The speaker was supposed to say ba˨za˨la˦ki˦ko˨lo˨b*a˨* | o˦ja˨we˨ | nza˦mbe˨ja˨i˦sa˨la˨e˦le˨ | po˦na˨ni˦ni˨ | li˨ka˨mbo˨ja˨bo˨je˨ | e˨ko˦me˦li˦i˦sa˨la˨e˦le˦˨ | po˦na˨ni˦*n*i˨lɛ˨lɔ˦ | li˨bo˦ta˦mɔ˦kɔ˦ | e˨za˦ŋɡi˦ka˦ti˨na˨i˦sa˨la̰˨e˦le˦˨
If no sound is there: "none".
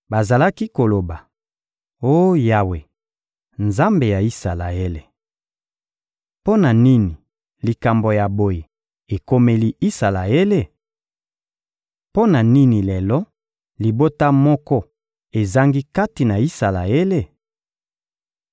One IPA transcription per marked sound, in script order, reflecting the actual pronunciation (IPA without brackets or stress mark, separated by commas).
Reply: a˨, n